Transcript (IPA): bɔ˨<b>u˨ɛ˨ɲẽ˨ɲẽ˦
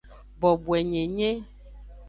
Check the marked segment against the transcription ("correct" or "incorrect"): correct